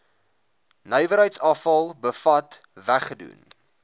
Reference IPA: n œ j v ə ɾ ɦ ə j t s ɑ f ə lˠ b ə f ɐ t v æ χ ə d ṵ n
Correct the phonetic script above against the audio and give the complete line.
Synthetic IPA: n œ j v ə ɾ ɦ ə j t s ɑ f ɐ lˠ b ə f ɐ t v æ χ ə d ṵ n